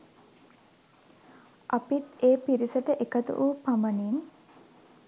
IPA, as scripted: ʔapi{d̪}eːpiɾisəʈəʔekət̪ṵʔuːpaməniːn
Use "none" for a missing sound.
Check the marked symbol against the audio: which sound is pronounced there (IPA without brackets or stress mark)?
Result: t̪